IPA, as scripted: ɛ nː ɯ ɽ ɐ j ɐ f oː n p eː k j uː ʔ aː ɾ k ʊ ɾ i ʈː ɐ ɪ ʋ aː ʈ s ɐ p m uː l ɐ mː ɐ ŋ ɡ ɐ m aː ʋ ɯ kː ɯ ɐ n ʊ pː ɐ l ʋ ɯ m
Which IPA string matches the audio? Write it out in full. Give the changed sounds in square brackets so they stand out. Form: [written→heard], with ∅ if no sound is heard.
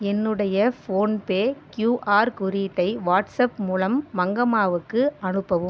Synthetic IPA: ɛ nː ɯ ɽ ɐ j ɐ f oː n p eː k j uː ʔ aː ɾ k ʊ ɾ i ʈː ɐ ɪ ʋ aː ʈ s ɐ p m uː l ɐ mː ɐ ŋ ɡ ɐ m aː ʋ ɯ kː ɯ ɐ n [ʊ→ɯ] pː ɐ [l→∅] ʋ ɯ m